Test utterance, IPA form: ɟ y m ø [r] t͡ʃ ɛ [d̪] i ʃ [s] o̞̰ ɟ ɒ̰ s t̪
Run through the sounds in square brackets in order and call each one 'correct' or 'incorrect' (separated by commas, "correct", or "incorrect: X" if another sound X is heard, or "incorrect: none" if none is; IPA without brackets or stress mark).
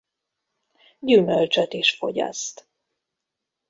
incorrect: l, incorrect: t̪, incorrect: f